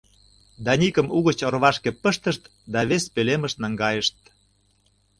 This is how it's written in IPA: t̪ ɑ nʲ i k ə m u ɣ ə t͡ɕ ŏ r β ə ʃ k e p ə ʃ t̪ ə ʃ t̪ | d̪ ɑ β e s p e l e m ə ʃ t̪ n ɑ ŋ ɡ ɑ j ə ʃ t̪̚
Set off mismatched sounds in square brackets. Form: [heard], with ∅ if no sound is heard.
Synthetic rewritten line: [d̪] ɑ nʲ i k ə m u ɣ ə t͡ɕ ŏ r β [ɑ] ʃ k e p ə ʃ t̪ ə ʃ t̪ | d̪ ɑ β e s p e l e m ə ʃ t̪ n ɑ ŋ ɡ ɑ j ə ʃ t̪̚